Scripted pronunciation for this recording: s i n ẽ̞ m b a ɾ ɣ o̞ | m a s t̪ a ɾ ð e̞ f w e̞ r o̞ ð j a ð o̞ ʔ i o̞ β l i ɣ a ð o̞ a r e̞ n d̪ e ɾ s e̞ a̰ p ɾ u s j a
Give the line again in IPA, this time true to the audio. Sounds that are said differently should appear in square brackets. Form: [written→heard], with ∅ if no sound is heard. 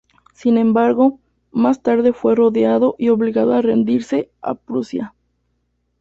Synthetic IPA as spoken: s i n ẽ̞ m b a ɾ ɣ o̞ | m a s t̪ a ɾ ð e̞ f w e̞ r o̞ ð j a ð o̞ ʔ i o̞ β l i ɣ a ð o̞ a r e̞ n d̪ [e→i] ɾ s e̞ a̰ p ɾ u s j a